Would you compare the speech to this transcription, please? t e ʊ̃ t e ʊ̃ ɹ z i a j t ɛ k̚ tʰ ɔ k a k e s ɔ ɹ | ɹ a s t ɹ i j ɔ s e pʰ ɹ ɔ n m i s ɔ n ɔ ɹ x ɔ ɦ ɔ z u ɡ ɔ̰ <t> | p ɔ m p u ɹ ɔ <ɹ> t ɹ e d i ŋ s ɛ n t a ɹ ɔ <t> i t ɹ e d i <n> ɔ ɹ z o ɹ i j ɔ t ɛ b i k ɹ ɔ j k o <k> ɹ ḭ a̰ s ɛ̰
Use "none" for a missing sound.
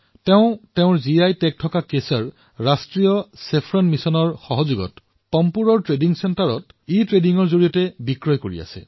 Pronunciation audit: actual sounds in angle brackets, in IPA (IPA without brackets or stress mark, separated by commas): t, ɹ, t, ŋ, none